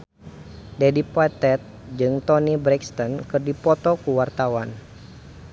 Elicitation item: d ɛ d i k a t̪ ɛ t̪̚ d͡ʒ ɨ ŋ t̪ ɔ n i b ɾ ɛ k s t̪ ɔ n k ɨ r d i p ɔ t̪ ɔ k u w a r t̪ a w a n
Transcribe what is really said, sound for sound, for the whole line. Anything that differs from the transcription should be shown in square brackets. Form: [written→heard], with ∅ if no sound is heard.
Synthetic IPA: d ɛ d i [k→p] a t̪ ɛ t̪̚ d͡ʒ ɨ ŋ t̪ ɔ n i b ɾ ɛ k s t̪ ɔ n k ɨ r d i p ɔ t̪ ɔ k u w a r t̪ a w a n